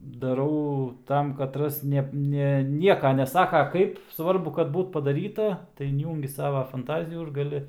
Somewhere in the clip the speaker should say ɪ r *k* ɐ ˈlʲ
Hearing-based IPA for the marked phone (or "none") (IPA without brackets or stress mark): ɡ